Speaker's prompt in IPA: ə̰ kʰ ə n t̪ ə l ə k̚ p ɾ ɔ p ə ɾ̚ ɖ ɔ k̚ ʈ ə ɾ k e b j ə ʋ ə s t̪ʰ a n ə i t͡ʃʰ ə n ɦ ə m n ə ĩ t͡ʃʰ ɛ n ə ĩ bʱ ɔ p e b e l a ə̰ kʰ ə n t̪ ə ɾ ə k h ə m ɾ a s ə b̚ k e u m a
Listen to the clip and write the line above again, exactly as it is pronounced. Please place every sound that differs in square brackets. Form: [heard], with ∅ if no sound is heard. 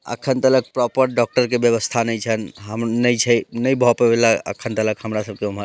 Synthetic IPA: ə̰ kʰ ə n t̪ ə l ə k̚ p ɾ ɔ p ə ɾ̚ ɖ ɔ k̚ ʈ ə ɾ k e b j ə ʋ ə s t̪ʰ a n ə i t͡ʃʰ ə n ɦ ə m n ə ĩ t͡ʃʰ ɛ n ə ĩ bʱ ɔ p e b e l a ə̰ kʰ ə n t̪ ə [l] ə k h ə m ɾ a s ə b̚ k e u m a